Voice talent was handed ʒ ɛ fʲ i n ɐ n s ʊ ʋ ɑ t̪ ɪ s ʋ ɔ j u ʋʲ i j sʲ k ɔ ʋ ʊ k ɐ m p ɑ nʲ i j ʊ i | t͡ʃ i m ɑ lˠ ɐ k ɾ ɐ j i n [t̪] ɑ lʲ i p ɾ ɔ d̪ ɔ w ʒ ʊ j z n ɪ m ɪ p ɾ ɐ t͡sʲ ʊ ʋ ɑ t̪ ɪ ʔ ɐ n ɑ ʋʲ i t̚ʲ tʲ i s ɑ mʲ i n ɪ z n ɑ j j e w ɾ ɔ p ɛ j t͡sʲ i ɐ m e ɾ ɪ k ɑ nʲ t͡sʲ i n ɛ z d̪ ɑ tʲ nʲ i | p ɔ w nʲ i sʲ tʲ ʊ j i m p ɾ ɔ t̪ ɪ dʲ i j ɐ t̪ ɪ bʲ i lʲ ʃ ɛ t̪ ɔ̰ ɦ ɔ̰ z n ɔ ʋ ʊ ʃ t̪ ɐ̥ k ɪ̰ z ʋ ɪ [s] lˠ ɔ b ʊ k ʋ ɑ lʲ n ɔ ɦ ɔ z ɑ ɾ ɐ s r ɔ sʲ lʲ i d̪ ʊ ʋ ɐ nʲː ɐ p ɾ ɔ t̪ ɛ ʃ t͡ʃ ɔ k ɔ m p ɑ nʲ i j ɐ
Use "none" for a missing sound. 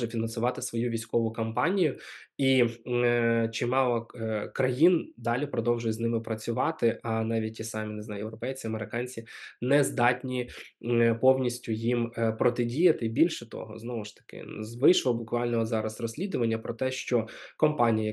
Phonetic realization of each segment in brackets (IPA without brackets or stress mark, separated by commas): d̪, ʃ